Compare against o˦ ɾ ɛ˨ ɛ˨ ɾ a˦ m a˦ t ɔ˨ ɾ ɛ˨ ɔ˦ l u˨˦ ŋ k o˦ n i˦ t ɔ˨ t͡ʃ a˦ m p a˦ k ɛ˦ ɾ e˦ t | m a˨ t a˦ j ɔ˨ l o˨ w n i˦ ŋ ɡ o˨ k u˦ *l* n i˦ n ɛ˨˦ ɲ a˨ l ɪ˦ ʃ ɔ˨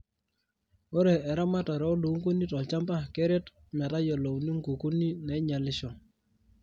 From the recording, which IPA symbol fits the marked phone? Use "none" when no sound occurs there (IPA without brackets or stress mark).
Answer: none